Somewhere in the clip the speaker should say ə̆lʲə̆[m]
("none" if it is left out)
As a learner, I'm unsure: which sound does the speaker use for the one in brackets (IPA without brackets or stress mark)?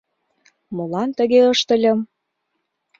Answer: m